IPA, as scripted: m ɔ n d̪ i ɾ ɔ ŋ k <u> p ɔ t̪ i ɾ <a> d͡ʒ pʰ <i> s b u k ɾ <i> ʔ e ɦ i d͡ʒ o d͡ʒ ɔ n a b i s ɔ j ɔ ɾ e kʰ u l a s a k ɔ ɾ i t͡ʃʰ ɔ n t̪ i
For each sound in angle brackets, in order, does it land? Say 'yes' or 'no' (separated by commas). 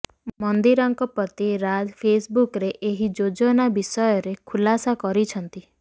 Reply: no, yes, no, no